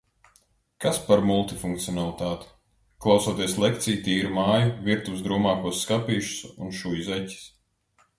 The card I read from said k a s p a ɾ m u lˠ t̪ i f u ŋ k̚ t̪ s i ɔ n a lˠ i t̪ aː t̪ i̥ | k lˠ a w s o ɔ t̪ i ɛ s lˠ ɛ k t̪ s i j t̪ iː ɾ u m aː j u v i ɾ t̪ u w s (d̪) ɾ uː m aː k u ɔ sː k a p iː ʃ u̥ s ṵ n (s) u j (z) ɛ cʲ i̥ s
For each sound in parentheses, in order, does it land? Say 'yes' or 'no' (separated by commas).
yes, no, yes